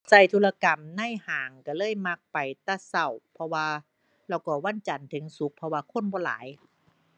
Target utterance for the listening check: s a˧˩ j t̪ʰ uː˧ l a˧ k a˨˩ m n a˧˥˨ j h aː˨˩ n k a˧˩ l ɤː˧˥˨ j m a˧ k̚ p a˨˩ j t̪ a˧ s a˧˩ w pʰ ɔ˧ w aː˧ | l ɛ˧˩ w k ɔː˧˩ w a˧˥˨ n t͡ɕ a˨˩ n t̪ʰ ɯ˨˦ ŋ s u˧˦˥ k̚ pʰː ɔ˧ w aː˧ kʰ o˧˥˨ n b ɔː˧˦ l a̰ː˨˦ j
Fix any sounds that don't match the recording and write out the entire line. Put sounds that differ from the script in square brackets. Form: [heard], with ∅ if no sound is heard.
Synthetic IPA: s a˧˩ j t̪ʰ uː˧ l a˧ k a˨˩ m n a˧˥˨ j h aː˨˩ [ŋ] k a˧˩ l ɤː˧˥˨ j m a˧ k̚ p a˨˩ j t̪ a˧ s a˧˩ w pʰ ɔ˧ w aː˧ | l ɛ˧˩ w k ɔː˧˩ w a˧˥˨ n t͡ɕ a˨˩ n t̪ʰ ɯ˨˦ ŋ s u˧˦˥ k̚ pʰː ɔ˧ w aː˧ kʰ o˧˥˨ n b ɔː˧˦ l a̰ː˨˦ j